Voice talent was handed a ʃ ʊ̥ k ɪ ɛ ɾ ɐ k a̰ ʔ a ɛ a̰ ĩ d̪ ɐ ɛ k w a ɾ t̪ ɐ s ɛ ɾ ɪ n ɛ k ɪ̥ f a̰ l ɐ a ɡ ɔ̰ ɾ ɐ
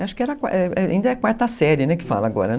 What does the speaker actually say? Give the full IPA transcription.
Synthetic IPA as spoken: a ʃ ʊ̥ k ɪ ɛ ɾ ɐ k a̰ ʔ ɛ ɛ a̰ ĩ d̪ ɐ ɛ k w a ɾ t̪ ɐ s ɛ ɾ ɪ n ɛ k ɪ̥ f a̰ l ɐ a ɡ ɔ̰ ɾ ɐ